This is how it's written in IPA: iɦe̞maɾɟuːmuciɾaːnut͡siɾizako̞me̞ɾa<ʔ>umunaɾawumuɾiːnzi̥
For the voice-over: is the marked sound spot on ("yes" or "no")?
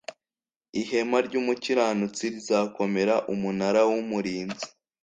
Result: yes